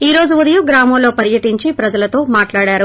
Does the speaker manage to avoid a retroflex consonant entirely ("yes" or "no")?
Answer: no